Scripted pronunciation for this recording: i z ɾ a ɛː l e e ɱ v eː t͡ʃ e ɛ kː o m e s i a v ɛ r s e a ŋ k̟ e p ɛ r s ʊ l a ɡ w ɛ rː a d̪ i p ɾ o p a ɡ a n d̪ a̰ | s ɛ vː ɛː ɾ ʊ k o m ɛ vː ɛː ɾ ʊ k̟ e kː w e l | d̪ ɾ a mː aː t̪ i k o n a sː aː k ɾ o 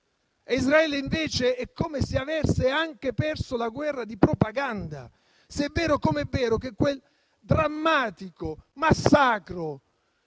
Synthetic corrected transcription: i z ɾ a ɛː l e i ɱ v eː t͡ʃ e ɛ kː o m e s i a v ɛ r s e a ŋ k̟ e p ɛ r s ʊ l a ɡ w ɛ rː a d̪ i p ɾ o p a ɡ a n d̪ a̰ | s ɛ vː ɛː ɾ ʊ k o m ɛ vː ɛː ɾ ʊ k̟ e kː w e l | d̪ ɾ a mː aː t̪ i k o m a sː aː k ɾ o